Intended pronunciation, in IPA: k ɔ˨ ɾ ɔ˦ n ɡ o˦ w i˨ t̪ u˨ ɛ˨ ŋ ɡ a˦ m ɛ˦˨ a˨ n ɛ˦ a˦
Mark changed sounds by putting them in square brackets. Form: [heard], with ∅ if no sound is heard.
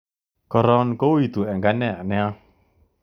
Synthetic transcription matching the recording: k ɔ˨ ɾ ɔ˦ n [k] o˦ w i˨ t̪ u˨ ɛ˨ ŋ ɡ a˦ [n] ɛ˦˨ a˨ n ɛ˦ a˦